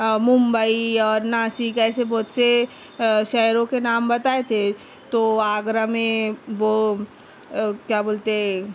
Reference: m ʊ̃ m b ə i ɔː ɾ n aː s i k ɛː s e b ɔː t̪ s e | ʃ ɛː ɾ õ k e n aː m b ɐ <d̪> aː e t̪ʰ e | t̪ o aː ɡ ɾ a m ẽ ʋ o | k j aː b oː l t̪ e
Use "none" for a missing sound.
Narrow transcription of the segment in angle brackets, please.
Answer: t̪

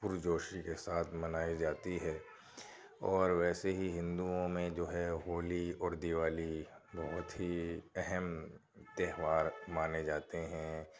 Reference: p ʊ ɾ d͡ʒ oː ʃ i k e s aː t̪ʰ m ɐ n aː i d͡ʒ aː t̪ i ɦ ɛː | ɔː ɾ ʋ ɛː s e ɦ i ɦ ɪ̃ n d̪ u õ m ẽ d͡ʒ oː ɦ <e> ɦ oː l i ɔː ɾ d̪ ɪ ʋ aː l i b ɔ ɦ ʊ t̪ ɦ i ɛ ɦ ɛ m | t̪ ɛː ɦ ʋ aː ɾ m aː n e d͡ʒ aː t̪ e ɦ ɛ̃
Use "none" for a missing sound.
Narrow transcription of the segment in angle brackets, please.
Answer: ɛ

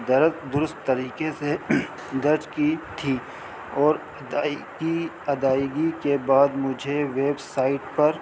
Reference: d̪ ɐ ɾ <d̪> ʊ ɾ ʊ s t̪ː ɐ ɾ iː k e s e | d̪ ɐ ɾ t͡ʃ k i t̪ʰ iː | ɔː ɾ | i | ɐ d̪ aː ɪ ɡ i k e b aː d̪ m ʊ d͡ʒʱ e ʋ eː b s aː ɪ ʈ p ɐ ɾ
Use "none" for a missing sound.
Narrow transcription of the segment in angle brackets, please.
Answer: d̪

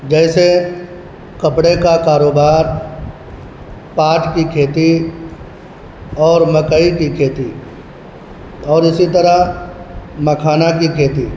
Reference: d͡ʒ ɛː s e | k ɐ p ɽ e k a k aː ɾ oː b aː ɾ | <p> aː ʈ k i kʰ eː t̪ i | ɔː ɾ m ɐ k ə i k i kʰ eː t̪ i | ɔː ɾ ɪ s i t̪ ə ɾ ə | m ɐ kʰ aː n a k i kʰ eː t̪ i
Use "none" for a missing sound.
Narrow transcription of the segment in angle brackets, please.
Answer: p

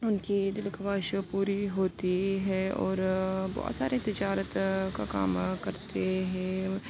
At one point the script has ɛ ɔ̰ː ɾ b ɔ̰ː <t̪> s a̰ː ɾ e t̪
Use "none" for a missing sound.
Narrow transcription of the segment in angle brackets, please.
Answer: t̪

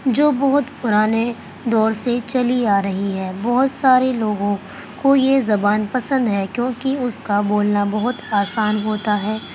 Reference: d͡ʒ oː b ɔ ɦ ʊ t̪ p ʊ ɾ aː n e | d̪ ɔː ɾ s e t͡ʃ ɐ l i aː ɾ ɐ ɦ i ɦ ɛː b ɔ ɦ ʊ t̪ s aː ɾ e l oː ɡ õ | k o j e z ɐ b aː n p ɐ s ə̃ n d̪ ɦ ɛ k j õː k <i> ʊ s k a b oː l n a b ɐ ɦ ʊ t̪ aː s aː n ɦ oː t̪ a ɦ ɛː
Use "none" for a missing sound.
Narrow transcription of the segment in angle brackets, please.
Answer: i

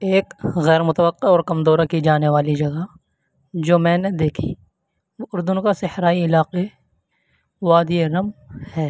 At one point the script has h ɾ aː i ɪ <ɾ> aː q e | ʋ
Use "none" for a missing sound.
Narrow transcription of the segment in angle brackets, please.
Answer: l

